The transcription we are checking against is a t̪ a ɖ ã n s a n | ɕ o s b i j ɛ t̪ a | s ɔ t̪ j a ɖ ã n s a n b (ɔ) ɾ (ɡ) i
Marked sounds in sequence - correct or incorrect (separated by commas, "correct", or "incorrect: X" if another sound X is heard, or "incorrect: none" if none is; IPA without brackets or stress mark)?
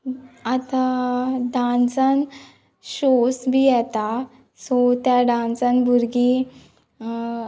incorrect: u, correct